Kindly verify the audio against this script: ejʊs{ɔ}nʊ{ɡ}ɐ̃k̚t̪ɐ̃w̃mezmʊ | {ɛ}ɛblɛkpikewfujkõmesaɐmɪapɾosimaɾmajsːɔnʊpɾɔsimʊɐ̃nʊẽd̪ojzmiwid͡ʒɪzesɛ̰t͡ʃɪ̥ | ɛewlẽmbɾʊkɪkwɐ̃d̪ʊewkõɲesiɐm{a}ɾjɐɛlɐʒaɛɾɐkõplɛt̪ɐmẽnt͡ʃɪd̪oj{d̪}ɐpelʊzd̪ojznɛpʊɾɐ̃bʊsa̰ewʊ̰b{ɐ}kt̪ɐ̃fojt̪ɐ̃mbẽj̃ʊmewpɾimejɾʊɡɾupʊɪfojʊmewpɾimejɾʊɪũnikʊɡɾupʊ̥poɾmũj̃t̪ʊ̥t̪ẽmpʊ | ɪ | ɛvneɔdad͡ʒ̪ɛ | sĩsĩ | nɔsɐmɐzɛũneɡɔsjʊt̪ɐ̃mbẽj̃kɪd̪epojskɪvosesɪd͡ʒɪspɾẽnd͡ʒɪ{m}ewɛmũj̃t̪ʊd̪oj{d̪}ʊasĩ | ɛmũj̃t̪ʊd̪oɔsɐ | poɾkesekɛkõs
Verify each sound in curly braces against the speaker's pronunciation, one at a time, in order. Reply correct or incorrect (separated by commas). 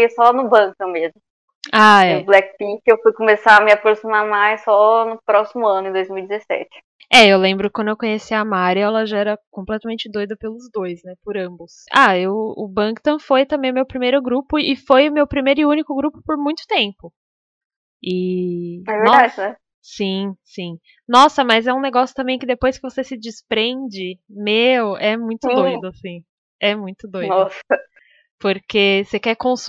correct, incorrect, incorrect, correct, correct, incorrect, correct, correct